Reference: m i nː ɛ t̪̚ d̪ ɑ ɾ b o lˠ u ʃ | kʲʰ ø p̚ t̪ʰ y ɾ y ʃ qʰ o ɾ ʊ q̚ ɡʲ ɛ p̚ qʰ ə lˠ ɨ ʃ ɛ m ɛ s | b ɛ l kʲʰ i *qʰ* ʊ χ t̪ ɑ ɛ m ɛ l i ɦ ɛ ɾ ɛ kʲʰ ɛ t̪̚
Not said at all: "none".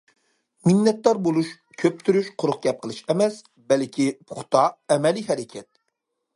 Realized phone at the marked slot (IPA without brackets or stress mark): pʰ